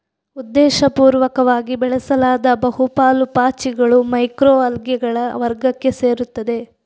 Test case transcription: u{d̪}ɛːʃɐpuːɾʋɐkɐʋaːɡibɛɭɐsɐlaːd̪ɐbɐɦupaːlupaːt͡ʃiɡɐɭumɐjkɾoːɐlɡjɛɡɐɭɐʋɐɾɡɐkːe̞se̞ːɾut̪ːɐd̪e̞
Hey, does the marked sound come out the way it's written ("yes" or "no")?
no